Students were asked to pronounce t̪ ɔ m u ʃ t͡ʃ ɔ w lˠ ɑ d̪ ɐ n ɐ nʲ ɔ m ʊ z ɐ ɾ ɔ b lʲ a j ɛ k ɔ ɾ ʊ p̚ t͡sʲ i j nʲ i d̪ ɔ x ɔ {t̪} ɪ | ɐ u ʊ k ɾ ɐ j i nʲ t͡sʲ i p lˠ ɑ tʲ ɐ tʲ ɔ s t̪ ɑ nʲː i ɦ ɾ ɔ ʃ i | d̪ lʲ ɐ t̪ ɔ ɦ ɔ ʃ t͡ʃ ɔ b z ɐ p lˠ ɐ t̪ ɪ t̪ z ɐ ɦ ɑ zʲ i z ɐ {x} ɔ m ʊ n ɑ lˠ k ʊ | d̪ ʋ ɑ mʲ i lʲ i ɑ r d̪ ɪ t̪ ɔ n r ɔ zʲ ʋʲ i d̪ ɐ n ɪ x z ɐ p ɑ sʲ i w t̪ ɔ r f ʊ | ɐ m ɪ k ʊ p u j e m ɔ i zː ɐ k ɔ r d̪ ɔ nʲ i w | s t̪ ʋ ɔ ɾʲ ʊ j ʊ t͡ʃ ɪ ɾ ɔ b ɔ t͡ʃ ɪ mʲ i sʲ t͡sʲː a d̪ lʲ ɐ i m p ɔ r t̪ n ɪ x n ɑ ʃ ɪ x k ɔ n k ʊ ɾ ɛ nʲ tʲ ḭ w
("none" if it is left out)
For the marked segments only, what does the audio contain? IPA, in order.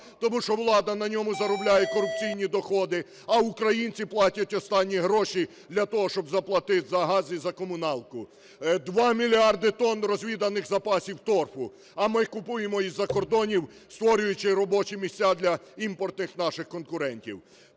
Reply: d̪, k

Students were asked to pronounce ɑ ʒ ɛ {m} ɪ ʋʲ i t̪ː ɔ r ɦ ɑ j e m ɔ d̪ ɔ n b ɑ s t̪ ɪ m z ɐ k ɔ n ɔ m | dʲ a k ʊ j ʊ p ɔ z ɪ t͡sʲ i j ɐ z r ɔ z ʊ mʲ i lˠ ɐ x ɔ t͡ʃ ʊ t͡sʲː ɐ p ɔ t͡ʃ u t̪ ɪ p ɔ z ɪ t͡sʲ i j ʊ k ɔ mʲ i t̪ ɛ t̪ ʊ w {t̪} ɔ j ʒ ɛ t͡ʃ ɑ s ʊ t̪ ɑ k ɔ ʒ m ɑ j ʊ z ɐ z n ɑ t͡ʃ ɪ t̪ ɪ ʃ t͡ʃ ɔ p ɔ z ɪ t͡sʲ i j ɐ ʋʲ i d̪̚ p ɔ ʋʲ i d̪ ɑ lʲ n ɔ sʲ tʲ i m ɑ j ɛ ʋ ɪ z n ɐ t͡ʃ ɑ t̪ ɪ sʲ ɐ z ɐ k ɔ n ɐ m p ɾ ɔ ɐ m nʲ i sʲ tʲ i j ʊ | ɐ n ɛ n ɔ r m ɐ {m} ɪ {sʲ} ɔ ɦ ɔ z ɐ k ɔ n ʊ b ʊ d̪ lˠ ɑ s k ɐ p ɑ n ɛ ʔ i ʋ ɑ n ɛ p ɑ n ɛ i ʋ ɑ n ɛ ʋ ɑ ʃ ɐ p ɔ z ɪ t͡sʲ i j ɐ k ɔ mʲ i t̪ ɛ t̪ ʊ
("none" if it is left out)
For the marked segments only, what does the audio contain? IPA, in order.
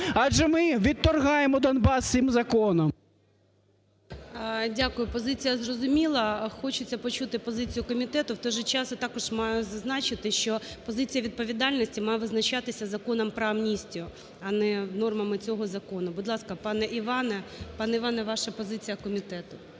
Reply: m, t̪, m, t͡sʲ

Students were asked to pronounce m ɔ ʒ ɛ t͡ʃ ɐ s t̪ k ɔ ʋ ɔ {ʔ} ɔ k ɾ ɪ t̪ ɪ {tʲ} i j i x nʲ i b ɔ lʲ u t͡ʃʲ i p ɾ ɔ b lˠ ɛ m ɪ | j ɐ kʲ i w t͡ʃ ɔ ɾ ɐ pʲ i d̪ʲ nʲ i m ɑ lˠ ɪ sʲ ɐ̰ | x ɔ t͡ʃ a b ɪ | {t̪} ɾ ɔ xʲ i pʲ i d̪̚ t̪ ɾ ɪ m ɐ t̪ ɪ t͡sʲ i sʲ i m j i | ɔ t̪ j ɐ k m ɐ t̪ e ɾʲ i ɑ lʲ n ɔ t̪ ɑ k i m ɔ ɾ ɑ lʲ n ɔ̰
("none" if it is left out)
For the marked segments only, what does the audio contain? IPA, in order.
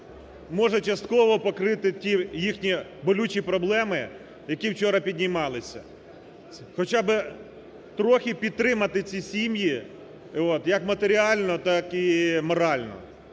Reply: p, tʲ, t̪

